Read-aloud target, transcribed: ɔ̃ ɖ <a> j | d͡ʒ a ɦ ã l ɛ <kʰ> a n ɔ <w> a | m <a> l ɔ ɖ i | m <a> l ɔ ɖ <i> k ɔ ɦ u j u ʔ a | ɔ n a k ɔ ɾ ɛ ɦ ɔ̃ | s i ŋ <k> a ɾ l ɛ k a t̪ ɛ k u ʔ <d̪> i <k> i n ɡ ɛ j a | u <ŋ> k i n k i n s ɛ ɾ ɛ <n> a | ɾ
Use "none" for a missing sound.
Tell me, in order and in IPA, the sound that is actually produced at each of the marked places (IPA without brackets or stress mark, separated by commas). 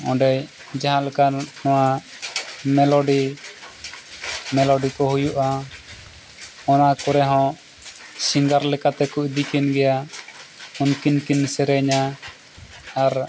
ɛ, k, w, ɛ, ɛ, i, ɡ, d̪, k, n, ɲ